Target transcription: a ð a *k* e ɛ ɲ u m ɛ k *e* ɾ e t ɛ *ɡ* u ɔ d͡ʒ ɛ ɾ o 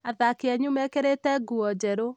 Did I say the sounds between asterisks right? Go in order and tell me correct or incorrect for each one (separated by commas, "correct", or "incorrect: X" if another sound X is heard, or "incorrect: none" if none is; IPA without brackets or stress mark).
correct, correct, correct